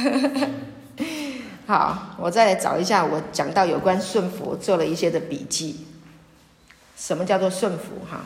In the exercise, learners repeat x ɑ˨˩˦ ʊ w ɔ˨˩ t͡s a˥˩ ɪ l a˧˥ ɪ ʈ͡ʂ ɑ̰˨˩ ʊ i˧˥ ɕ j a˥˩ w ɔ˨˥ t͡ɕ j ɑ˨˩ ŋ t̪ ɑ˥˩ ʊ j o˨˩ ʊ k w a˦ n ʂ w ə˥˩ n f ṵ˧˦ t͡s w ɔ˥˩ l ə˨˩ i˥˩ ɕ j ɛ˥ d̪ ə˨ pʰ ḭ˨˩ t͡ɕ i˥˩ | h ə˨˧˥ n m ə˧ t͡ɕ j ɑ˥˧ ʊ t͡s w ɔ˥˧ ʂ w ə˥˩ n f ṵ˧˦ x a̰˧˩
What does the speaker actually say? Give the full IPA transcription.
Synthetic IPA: x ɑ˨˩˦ ʊ w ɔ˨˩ t͡s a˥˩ ɪ l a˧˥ ɪ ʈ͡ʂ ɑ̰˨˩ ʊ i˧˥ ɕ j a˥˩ w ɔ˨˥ t͡ɕ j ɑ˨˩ ŋ t̪ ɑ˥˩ ʊ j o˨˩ ʊ k w a˦ n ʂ w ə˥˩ n f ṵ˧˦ t͡s w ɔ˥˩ l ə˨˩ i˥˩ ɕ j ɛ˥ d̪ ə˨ p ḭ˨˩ t͡ɕ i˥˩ | ʂ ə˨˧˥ n m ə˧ t͡ɕ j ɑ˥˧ ʊ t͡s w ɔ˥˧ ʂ w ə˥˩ n f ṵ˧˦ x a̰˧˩